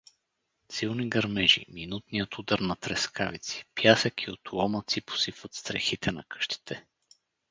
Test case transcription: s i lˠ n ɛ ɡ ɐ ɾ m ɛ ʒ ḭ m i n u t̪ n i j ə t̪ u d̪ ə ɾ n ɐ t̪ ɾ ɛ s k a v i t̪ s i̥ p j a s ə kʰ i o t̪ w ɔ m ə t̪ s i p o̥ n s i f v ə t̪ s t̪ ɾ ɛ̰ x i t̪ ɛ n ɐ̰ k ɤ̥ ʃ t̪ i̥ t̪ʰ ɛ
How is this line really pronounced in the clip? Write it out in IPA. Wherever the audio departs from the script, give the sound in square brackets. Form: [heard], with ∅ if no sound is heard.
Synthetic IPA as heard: s i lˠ n [i] ɡ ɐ ɾ m ɛ ʒ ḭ m i n u t̪ n i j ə t̪ u d̪ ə ɾ n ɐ t̪ ɾ ɛ s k a v i t̪ s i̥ p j a s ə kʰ i o t̪ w ɔ m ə t̪ s i p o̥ [∅] s i f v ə t̪ s t̪ ɾ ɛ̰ x i t̪ ɛ n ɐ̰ k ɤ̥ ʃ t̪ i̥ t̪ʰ ɛ